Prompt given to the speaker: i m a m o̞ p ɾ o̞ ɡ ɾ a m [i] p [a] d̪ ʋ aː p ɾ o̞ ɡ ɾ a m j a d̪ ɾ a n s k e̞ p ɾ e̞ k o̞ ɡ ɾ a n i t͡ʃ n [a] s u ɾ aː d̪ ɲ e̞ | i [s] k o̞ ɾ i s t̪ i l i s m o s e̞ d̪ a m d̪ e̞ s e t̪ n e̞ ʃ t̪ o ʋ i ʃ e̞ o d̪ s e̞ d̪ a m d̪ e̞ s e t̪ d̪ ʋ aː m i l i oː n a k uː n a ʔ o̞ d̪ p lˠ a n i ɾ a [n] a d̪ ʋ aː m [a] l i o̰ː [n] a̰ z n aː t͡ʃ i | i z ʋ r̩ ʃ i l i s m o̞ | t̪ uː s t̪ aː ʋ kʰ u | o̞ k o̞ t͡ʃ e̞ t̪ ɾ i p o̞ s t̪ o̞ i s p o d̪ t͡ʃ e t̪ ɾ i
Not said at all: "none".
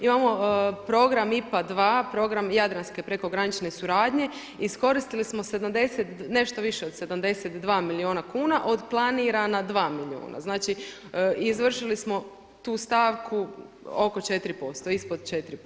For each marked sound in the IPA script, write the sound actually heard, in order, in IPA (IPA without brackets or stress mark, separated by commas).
i, a, e, s, n, i, n